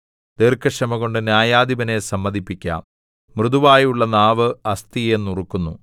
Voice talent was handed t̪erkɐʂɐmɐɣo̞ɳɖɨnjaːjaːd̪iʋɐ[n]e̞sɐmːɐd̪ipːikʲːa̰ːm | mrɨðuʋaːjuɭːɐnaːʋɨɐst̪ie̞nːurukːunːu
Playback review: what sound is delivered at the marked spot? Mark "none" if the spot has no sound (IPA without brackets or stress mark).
n